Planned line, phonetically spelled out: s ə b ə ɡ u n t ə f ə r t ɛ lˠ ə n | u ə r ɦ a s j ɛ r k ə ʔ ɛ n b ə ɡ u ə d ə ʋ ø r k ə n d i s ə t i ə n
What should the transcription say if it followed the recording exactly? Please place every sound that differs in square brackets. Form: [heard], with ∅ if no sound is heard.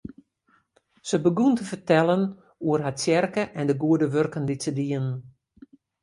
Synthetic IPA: s ə b ə ɡ u n t ə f ə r t ɛ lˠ ə n | u ə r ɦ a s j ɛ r k ə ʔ ɛ n [d] ə ɡ u ə d ə ʋ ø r k ə n d i s ə [d] i ə n